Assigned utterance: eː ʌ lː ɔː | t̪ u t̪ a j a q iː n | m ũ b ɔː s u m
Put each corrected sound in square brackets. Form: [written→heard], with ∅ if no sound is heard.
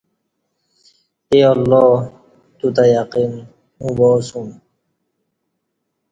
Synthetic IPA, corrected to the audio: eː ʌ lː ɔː | t̪ u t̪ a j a q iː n | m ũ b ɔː s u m